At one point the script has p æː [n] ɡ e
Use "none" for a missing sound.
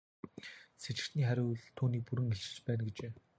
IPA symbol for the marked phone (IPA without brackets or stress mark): n